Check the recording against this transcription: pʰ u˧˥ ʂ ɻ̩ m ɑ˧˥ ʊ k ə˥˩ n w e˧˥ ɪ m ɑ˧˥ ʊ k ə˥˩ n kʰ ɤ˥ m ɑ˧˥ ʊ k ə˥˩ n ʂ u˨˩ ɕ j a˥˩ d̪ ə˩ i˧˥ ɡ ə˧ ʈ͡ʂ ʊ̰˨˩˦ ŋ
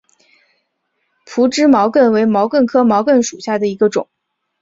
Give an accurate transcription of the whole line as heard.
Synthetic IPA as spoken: pʰ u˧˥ ʈ͡ʂ ɻ̩ m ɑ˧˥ ʊ k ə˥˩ n w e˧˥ ɪ m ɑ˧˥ ʊ k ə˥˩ n kʰ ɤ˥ m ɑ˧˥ ʊ k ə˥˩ n ʂ u˨˩ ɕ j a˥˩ d̪ ə˩ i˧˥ ɡ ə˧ ʈ͡ʂ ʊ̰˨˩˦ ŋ